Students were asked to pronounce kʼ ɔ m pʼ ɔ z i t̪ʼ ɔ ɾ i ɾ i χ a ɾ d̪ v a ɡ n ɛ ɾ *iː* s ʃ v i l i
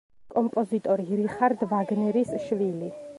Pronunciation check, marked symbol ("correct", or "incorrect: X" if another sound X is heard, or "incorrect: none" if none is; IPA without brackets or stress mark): incorrect: i